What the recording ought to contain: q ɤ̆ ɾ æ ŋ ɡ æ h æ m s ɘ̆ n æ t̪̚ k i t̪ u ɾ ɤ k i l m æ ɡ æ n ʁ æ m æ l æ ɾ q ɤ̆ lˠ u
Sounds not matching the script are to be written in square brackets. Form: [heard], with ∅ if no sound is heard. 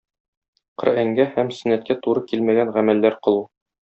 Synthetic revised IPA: q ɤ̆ ɾ æ ŋ ɡ æ h æ m s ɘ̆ n æ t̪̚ k [æ] t̪ u ɾ ɤ k i l m æ ɡ æ n ʁ æ m æ [lː] æ ɾ q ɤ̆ lˠ u